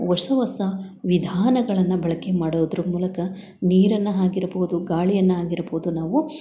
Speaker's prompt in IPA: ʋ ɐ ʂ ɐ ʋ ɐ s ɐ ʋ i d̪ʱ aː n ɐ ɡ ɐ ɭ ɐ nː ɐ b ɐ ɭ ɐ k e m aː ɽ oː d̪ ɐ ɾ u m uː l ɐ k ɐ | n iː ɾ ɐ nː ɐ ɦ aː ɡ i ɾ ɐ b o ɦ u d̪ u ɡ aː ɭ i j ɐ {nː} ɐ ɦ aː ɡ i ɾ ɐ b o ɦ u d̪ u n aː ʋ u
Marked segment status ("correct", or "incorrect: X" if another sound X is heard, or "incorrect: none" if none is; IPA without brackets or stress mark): correct